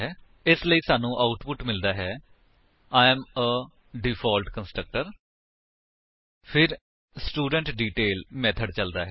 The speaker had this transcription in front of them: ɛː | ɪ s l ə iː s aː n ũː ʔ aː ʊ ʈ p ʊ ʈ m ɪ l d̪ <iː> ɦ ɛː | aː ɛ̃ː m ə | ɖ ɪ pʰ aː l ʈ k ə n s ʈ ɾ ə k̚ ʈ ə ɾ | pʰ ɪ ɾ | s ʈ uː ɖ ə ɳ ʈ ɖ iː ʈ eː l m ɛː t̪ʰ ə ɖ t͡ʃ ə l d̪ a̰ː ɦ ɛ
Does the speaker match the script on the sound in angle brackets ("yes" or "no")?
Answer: no